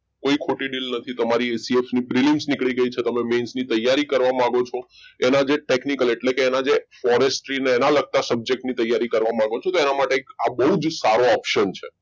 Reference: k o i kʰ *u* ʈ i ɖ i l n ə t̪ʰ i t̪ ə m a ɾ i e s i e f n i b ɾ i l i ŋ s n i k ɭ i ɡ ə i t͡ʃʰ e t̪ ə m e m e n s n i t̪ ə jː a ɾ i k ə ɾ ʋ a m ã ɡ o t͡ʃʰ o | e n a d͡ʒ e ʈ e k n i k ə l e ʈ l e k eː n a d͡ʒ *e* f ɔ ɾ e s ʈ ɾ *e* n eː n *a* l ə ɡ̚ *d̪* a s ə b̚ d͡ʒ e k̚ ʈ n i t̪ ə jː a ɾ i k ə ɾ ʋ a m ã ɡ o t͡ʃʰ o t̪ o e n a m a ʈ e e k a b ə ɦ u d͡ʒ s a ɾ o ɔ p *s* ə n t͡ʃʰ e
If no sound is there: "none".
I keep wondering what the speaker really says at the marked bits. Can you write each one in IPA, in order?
o, e, i, a, t̪, ʃ

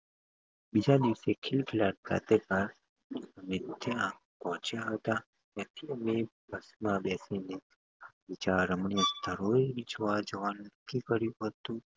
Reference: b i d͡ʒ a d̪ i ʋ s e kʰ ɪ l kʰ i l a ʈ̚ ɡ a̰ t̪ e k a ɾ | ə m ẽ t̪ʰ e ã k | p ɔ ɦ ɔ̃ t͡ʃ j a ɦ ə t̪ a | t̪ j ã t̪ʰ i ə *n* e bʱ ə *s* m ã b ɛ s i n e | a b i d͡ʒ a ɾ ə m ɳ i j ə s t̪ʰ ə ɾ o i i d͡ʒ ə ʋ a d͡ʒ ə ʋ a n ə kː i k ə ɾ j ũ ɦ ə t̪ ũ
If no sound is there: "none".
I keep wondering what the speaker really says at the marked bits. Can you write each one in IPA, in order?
m, s

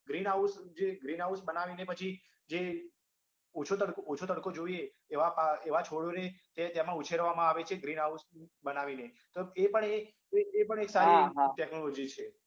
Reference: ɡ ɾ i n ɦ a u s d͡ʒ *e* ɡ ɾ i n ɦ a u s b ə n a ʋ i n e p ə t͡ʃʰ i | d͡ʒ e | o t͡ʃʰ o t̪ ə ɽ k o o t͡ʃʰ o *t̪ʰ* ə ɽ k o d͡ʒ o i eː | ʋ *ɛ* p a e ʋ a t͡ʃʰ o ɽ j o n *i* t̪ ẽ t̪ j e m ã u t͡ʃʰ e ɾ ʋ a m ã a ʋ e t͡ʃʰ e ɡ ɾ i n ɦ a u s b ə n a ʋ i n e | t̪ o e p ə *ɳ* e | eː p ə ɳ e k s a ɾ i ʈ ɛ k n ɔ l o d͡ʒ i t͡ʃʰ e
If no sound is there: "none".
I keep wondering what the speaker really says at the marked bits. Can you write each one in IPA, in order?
e, t̪, a, e, ɳ

